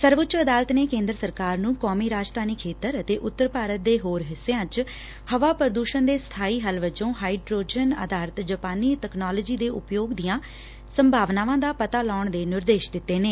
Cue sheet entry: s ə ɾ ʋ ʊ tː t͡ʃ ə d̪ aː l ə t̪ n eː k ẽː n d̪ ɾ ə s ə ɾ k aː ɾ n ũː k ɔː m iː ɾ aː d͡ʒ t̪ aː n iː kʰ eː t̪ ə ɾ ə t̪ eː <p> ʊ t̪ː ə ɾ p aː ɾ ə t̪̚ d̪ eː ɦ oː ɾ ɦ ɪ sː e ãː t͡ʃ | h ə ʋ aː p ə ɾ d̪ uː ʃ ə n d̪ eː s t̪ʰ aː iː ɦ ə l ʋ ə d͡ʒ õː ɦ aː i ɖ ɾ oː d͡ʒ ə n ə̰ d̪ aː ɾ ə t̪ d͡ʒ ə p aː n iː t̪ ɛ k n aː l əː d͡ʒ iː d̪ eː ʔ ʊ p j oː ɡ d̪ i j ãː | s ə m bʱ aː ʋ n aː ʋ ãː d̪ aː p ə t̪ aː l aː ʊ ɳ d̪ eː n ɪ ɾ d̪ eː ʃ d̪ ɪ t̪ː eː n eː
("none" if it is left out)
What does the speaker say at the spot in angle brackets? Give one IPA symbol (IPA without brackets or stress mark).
ʔ